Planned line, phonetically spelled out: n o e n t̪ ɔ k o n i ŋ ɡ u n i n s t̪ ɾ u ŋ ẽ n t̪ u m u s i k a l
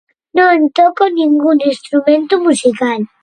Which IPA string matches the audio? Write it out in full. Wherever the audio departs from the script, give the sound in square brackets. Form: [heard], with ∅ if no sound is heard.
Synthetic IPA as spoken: n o e n t̪ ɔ k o n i ŋ ɡ u n i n s t̪ ɾ u [m] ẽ n t̪ u m u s i k a l